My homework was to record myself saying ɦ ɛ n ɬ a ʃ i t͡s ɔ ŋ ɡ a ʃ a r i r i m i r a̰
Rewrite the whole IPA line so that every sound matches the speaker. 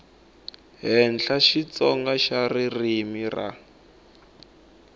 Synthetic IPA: ɦ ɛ n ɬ a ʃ i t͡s ɔ ŋ ɡ a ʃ a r i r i m i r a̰